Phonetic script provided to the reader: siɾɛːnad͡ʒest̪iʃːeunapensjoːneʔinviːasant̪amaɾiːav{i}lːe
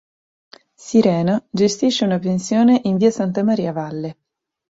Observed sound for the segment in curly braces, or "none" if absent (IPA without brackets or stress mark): a